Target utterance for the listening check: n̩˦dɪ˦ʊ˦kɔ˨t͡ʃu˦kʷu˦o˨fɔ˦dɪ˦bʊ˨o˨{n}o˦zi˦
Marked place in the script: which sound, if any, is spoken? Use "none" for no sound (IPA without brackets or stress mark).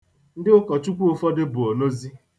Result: n